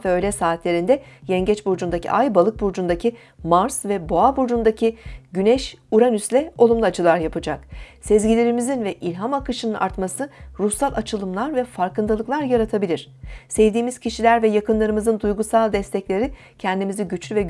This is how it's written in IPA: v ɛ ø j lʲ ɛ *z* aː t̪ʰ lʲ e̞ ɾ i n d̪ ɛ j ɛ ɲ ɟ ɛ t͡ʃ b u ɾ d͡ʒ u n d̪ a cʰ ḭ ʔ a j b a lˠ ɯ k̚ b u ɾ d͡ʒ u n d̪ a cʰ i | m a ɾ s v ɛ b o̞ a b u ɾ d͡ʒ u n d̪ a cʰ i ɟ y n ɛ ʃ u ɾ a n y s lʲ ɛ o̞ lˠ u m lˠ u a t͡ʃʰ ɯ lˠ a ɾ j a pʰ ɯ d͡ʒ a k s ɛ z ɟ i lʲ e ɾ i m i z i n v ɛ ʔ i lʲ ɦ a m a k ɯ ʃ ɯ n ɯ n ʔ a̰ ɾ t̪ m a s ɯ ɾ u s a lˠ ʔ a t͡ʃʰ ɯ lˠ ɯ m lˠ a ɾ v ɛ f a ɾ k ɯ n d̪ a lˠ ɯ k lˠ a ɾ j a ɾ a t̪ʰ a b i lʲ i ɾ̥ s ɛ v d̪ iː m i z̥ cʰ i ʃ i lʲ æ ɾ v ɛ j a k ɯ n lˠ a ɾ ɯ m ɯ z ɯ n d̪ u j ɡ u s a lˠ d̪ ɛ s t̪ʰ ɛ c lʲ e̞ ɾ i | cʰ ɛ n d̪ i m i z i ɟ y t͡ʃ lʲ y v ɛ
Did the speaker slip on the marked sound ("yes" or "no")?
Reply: yes